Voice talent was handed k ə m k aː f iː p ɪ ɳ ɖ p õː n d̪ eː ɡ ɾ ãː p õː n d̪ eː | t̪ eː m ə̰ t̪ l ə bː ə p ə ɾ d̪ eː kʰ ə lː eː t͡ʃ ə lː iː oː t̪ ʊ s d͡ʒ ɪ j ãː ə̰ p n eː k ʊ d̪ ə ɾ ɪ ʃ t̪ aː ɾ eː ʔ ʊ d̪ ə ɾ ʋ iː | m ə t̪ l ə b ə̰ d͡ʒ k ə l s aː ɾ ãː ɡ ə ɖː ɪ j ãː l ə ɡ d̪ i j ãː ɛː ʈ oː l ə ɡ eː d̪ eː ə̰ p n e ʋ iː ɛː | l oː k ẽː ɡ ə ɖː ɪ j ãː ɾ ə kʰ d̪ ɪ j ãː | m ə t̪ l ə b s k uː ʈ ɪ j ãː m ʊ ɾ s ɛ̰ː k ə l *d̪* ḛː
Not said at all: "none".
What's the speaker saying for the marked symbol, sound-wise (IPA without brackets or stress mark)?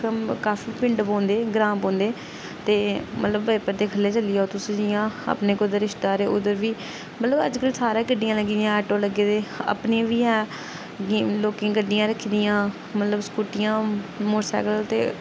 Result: t̪